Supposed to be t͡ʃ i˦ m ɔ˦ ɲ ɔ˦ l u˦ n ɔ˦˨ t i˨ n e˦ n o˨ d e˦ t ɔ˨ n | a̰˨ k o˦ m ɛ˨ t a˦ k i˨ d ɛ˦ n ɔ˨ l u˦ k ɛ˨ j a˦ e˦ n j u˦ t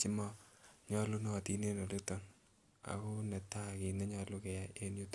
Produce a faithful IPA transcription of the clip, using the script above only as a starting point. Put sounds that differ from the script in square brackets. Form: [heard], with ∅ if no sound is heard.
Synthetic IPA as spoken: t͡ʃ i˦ m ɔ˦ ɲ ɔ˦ l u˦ n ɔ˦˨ t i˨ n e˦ n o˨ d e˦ t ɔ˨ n | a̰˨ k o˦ [n] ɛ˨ t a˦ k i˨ [n] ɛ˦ [ɲ] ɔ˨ l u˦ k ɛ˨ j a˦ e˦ n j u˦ t